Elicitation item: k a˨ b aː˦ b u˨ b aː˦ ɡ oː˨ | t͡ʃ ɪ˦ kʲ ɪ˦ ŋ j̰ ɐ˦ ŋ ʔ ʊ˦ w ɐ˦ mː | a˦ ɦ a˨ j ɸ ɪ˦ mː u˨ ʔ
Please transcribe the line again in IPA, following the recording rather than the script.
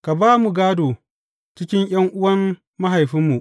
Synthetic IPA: k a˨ b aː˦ m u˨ ɡ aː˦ d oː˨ | t͡ʃ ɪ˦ kʲ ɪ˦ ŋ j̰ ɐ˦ ŋ ʔ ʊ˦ w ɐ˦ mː | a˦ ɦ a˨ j ɸ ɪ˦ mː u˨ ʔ